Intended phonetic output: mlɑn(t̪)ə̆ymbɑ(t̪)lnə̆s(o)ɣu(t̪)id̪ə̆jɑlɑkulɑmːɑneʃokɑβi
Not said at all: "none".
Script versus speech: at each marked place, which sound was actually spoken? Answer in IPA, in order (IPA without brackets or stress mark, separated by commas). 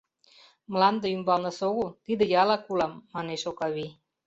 d̪, none, o, t̪